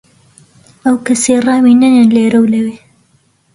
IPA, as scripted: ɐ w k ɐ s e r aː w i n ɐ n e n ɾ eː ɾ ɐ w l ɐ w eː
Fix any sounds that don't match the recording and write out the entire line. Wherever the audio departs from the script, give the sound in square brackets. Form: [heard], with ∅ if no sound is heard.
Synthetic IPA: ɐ w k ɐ s e r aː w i n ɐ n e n [l] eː ɾ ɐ w l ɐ w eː